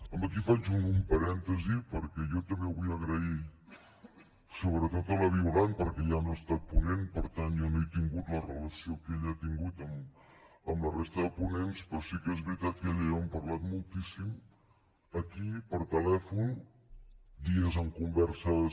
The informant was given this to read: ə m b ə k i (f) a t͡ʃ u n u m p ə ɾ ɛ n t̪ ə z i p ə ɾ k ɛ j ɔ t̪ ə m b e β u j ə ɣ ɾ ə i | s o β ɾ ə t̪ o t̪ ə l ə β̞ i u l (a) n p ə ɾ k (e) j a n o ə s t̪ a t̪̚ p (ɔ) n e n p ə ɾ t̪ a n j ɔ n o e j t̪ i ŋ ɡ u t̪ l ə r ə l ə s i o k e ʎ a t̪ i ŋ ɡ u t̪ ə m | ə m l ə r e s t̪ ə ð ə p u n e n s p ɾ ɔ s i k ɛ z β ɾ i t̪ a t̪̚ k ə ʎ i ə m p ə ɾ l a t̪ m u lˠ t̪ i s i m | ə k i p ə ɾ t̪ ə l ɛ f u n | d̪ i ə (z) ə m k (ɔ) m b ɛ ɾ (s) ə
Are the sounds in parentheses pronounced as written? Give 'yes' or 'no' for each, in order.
yes, yes, no, no, yes, no, yes

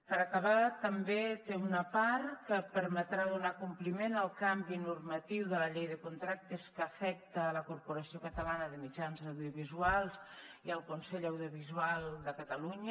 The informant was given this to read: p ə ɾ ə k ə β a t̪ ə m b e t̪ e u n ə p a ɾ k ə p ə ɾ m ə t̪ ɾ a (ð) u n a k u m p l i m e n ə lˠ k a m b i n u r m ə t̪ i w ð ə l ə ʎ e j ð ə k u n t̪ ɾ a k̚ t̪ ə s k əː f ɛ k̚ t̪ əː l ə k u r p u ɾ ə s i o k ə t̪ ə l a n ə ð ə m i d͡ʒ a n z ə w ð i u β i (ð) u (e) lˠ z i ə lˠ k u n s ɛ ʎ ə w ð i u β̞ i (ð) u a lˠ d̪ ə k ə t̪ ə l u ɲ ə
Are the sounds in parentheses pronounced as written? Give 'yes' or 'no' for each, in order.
yes, no, no, no

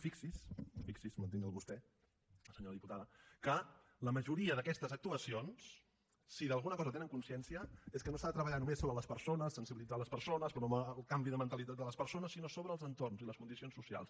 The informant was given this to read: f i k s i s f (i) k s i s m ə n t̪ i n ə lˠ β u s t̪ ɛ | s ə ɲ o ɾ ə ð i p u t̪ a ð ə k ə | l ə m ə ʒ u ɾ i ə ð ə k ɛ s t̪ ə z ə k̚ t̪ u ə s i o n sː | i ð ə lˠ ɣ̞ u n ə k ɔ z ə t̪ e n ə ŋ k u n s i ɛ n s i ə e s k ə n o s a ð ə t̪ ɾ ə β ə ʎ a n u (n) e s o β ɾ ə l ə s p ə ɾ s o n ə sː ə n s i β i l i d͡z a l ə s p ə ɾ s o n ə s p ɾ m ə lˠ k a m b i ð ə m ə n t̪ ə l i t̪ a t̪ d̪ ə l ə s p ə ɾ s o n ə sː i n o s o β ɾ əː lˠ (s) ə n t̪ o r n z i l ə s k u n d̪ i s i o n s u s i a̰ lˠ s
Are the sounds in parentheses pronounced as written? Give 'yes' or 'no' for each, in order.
yes, no, no

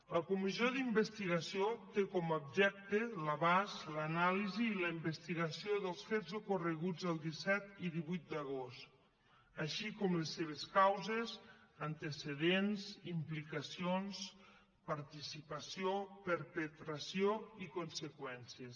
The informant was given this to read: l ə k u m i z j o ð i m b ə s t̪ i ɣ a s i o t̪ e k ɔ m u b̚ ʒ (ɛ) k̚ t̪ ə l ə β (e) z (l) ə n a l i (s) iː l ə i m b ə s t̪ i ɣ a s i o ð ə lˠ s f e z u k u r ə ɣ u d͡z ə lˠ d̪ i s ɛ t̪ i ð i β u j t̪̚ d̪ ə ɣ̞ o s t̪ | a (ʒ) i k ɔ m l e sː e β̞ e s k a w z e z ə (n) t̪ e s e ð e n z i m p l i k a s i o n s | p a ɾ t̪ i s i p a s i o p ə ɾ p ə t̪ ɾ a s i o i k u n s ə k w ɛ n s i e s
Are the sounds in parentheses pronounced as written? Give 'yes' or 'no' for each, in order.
yes, no, yes, no, no, yes

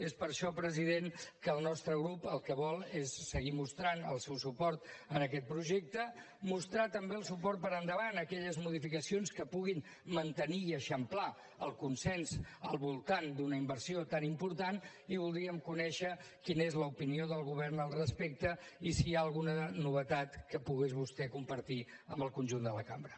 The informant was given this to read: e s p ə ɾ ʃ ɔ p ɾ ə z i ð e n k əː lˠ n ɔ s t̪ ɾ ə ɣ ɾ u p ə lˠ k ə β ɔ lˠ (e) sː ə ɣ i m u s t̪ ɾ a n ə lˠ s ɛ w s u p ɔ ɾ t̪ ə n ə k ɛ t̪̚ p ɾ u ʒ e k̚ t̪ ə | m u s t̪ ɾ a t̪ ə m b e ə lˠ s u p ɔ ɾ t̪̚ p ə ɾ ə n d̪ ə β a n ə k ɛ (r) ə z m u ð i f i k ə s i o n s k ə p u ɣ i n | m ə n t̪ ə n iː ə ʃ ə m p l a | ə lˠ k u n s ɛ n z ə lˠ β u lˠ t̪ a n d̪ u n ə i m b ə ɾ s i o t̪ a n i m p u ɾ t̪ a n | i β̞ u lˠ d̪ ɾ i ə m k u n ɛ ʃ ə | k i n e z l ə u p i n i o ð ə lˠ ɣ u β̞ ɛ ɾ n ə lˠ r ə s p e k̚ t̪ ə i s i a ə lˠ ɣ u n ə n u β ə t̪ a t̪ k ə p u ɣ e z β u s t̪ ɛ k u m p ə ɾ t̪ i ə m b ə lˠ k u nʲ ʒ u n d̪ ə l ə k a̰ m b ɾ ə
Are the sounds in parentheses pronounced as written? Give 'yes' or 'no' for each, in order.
yes, no

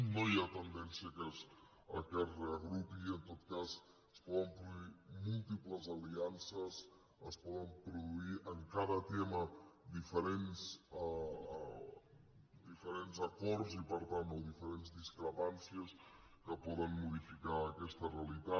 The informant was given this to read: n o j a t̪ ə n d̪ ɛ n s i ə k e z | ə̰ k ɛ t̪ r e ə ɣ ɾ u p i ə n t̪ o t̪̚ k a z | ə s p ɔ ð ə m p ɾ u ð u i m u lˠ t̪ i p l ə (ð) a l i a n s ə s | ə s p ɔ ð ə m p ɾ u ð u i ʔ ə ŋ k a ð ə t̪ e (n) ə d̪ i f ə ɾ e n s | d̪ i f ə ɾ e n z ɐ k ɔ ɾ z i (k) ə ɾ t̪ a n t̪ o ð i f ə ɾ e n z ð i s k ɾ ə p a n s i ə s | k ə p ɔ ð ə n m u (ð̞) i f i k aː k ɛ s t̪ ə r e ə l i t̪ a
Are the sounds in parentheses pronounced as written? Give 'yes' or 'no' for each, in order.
no, no, no, yes

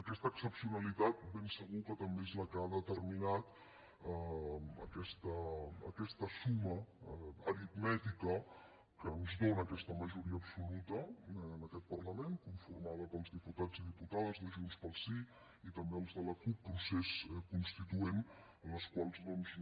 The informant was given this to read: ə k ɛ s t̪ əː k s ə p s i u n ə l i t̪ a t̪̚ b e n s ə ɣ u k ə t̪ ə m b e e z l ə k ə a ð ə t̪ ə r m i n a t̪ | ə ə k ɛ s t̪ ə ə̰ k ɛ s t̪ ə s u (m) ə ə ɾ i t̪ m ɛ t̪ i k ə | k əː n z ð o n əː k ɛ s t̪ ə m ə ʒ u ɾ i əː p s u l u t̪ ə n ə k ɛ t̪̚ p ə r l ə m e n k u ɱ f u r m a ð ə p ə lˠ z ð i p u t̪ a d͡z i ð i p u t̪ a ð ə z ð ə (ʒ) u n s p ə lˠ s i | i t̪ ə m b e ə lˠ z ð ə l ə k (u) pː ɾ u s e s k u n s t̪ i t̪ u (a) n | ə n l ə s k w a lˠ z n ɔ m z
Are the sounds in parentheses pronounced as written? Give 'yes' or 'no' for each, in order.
yes, yes, yes, no

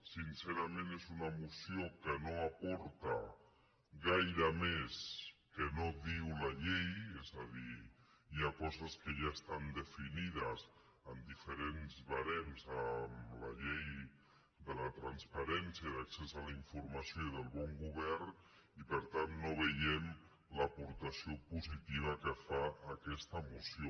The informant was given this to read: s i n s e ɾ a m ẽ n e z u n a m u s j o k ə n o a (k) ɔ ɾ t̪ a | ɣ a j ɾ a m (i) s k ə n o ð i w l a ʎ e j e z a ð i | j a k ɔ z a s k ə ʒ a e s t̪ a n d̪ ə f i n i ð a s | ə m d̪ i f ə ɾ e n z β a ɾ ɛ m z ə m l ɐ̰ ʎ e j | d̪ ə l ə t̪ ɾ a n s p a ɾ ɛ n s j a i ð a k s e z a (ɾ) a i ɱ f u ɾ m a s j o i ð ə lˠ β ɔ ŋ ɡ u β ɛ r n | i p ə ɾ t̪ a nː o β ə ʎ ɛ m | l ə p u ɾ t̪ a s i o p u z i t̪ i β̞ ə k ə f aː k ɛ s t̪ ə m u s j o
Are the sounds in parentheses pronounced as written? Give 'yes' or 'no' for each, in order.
no, no, no

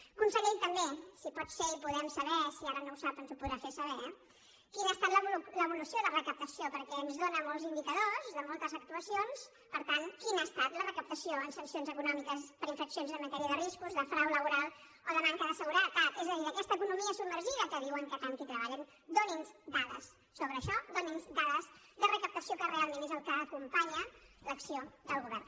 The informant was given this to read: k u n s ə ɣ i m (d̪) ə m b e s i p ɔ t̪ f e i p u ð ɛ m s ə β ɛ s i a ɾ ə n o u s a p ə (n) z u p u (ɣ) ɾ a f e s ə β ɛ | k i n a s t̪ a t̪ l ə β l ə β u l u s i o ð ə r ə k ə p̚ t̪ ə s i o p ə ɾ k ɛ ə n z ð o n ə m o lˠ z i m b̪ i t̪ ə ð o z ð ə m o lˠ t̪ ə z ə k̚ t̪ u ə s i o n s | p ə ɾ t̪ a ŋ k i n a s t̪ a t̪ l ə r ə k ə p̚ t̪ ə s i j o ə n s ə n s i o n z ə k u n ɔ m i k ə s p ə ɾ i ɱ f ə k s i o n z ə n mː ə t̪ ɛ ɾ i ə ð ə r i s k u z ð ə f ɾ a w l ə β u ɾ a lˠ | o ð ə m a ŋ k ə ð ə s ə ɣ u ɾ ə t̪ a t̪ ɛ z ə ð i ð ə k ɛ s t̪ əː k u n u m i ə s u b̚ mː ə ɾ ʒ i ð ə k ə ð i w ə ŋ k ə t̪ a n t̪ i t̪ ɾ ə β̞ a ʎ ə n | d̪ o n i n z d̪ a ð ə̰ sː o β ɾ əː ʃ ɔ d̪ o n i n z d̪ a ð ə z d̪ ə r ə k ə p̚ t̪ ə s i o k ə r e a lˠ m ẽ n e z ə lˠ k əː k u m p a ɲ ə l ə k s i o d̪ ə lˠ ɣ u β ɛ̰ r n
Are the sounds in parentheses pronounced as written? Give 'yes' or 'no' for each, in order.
no, yes, no

